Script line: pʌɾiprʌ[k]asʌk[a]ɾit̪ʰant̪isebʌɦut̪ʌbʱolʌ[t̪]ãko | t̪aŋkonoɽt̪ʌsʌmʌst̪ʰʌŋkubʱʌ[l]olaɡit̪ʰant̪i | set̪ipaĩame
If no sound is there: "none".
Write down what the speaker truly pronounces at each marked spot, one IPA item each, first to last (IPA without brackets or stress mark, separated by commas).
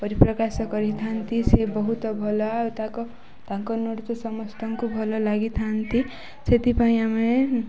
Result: k, ʌ, t̪, l